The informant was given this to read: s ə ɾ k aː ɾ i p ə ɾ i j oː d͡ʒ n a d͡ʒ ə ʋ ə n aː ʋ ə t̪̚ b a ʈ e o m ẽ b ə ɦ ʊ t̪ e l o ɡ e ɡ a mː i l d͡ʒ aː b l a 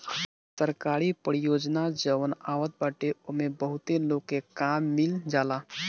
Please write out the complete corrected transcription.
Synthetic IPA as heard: s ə ɾ k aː ɾ i p ə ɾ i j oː d͡ʒ n a d͡ʒ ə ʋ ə n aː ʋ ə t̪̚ b a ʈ e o m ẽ b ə ɦ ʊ t̪ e l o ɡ e k a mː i l d͡ʒ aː l a

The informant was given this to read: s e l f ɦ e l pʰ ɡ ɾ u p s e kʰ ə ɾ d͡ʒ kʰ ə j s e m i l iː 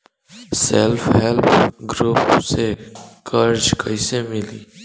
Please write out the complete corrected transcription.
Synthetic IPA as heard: s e l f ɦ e l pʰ ɡ ɾ u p s e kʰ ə ɾ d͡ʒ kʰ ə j s e m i l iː

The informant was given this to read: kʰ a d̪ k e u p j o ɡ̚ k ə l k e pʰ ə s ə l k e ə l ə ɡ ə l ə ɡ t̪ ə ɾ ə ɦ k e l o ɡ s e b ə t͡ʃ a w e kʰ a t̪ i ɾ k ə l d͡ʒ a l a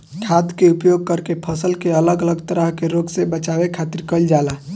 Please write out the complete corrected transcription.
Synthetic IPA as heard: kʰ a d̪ k e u p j o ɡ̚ k ə ɾ k e pʰ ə s ə l k e ə l ə ɡ ə l ə ɡ t̪ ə ɾ ə ɦ k e ɾ o ɡ s e b ə t͡ʃ a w e kʰ a t̪ i ɾ k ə l d͡ʒ a l a

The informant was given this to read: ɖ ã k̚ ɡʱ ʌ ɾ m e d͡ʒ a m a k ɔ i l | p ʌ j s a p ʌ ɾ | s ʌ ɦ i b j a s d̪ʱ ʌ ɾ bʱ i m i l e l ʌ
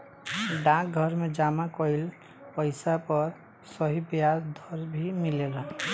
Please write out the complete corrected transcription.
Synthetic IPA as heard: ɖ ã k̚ ɡʱ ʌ ɾ m e d͡ʒ a m a k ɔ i l | p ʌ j s a p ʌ ɾ | s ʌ ɦ i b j a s d̪ʱ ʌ ɾ bʱ i m i l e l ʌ

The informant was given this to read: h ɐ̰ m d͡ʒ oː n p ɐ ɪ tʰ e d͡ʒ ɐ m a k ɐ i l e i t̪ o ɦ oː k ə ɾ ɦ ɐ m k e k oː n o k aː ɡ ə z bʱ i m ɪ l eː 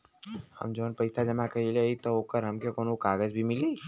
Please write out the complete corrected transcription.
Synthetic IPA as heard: h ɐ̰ m d͡ʒ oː n p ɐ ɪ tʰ a d͡ʒ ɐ m a k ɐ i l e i t̪ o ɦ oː k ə ɾ ɦ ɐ m k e k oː n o k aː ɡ ə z bʱ i m ɪ l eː

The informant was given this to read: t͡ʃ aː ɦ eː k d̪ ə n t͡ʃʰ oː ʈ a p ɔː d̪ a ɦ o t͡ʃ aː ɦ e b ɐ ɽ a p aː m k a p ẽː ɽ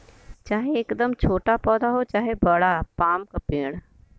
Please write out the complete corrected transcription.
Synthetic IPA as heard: t͡ʃ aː ɦ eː k d̪ ə m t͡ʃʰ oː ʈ a p ɔː d̪ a ɦ o t͡ʃ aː ɦ e b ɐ ɽ a p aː m k a p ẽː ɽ

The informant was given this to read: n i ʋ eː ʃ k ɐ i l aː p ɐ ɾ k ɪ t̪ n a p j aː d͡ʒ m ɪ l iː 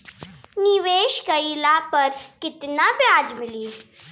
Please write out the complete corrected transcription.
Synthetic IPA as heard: n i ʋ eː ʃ k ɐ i l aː p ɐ ɾ k ɪ t̪ n a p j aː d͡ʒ m ɪ l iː

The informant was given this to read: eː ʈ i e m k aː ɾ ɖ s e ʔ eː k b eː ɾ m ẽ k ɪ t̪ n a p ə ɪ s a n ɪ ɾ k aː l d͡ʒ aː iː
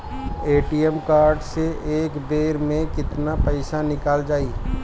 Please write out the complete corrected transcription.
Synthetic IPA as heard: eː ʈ i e m k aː ɾ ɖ s e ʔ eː k b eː ɾ m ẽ k ɪ t̪ n a p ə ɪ s a n ɪ k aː l d͡ʒ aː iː

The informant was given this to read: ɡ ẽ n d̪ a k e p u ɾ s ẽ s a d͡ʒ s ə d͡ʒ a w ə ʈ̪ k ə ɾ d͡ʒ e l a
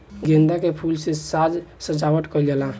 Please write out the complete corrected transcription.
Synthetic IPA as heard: ɡ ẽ n d̪ a k e pʰ u l s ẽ s a d͡ʒ s ə d͡ʒ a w ə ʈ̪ k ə l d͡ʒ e l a

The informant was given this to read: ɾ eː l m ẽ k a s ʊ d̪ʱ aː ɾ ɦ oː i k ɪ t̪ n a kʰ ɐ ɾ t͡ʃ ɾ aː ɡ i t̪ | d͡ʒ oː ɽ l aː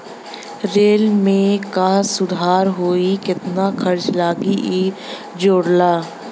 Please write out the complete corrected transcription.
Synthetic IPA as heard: ɾ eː l m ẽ k a s ʊ d̪ʱ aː ɾ ɦ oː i k ɪ t̪ n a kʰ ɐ ɾ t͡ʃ l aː ɡ i | d͡ʒ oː ɽ l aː

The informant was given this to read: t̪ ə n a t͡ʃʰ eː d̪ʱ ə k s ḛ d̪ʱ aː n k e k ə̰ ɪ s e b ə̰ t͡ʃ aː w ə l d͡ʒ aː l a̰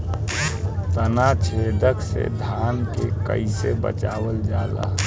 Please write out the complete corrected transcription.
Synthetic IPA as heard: t̪ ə n a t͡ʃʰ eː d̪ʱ ə k s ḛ d̪ʱ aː n k e k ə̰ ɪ s e b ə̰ t͡ʃ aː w ə l d͡ʒ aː l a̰

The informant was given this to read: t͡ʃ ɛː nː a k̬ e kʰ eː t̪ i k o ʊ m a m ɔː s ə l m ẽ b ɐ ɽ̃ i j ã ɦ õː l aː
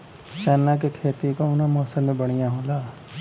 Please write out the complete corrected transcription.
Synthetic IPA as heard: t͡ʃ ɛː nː a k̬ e kʰ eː t̪ i k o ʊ n a m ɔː s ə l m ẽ b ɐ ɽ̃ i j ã ɦ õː l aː

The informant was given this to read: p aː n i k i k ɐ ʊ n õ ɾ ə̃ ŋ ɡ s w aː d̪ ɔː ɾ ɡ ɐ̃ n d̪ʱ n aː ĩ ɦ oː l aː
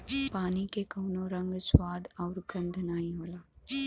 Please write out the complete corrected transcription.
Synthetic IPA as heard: p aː n i k e k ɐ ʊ n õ ɾ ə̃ ŋ ɡ s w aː d̪ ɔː ɾ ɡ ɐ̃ n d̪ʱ n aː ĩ ɦ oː l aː

